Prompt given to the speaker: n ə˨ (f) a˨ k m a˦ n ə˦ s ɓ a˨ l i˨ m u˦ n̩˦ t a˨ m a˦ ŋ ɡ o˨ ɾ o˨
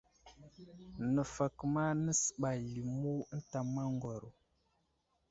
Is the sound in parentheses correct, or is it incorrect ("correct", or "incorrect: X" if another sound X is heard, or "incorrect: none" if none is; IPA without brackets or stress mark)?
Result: correct